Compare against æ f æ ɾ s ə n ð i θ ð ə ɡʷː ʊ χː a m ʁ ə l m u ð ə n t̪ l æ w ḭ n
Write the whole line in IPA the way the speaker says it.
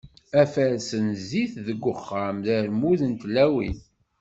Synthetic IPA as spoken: æ f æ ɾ s ə n z i θ ð ə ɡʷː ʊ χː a m ð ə ɾ m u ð ə n t̪ l æ w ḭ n